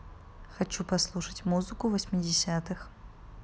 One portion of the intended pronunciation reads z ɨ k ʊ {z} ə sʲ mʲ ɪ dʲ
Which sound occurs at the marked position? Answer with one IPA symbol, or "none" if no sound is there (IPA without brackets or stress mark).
v